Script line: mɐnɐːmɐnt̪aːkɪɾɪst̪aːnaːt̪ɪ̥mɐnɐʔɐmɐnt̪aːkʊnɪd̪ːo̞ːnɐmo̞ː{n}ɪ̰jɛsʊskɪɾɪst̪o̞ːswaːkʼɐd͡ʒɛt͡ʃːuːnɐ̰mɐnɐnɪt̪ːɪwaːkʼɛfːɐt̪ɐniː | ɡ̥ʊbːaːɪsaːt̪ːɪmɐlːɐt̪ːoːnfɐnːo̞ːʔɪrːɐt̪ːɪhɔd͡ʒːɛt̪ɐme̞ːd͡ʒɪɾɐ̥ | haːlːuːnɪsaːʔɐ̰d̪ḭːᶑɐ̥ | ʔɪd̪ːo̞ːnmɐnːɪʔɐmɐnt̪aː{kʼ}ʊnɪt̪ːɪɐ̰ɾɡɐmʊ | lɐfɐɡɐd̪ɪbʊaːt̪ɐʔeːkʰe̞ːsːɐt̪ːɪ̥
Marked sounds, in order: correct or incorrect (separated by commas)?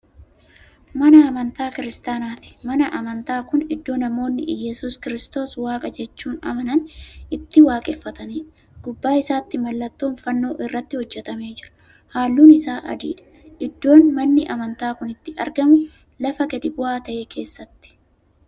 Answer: incorrect, incorrect